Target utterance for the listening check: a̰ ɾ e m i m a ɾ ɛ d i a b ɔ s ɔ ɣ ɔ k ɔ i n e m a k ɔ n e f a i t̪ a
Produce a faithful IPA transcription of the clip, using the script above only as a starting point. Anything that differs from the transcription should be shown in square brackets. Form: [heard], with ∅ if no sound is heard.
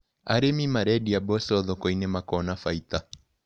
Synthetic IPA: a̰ ɾ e m i m a ɾ ɛ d i a b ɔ s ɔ [ð] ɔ k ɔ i n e m a k ɔ n [a] f a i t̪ a